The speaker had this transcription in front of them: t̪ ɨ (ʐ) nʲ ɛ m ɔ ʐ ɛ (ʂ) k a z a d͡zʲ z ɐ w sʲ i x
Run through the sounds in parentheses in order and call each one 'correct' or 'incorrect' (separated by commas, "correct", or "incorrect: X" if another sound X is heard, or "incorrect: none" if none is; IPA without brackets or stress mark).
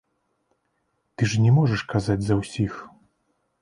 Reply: correct, correct